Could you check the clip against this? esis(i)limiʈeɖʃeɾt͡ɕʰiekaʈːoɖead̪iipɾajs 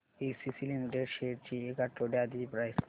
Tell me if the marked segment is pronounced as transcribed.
yes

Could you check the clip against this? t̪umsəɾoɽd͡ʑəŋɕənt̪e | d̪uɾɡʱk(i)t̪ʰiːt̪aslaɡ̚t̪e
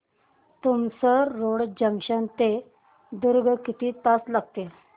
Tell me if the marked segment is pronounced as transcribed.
yes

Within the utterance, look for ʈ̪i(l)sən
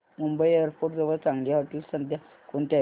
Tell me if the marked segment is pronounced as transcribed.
yes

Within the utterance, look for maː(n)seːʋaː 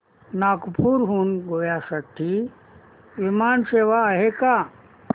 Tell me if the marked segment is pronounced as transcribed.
yes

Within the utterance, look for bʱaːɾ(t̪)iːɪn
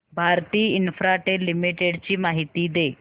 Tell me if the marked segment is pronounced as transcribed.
yes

